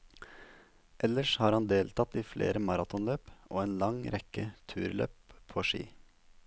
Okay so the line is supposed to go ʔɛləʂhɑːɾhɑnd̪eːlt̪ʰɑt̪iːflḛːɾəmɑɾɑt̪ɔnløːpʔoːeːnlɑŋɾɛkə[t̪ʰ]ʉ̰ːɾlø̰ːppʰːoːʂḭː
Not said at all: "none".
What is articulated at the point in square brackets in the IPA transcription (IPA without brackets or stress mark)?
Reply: t̪ʰ